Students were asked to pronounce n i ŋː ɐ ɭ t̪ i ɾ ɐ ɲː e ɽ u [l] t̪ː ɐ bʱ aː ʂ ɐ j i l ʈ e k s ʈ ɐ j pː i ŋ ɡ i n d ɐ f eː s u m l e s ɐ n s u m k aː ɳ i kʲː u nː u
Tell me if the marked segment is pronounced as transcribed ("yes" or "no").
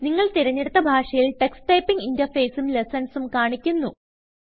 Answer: no